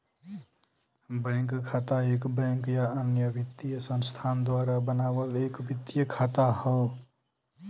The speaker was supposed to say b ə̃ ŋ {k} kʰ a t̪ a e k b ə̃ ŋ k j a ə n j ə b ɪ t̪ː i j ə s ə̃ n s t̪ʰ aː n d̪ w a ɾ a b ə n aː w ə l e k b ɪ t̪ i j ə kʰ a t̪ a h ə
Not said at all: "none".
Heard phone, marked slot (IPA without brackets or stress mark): k